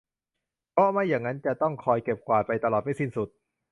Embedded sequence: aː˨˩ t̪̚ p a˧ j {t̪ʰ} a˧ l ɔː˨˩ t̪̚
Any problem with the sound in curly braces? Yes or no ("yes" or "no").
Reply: yes